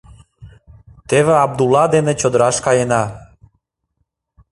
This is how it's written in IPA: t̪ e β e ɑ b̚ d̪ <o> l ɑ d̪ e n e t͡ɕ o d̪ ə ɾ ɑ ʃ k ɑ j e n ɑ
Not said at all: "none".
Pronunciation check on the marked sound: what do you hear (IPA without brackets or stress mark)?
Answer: u